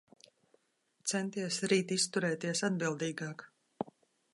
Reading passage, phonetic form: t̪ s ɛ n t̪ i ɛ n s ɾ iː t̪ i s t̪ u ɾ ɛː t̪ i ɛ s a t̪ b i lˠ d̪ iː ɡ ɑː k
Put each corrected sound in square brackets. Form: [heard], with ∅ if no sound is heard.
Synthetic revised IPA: t̪ s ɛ n t̪ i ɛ [∅] s ɾ iː t̪ i s t̪ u ɾ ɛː t̪ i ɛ s a [d̪] b i lˠ d̪ iː ɡ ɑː k